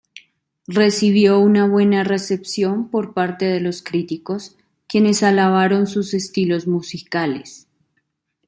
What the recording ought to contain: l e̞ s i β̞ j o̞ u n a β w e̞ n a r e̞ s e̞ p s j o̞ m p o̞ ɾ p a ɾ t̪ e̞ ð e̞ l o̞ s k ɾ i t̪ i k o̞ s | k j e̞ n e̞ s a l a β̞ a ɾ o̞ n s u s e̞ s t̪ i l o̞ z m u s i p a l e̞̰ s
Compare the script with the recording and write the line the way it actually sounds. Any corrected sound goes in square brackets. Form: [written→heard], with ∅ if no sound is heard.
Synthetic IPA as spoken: [l→r] e̞ s i β̞ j o̞ u n a β w e̞ n a r e̞ s e̞ p s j o̞ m p o̞ ɾ p a ɾ t̪ e̞ ð e̞ l o̞ s k ɾ i t̪ i k o̞ s | k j e̞ n e̞ s a l a β̞ a ɾ o̞ n s u s e̞ s t̪ i l o̞ z m u s i [p→k] a l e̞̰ s